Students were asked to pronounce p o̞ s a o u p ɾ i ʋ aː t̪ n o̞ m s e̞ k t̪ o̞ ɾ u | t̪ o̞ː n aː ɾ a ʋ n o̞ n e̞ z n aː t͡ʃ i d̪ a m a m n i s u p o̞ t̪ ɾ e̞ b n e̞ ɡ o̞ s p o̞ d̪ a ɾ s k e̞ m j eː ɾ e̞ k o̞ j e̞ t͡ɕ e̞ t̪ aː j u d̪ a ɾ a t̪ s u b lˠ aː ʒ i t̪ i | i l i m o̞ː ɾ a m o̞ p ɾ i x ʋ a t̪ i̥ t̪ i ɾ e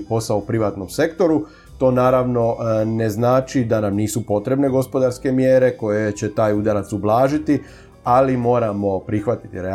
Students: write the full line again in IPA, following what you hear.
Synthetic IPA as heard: p o̞ s a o u p ɾ i ʋ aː t̪ n o̞ m s e̞ k t̪ o̞ ɾ u | t̪ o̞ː n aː ɾ a ʋ n o̞ n e̞ z n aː t͡ʃ i d̪ a n a m n iː s u p o̞ t̪ ɾ e̞ b n e̞ ɡ o̞ s p o̞ d̪ a ɾ s k e̞ m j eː ɾ e̞ k o̞ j e̞ t͡ɕ e̞ t̪ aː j u d̪ a ɾ a t̪ s u b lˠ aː ʒ i t̪ i | a l i m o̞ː ɾ a m o̞ p ɾ i x ʋ a t̪ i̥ t̪ i ɾ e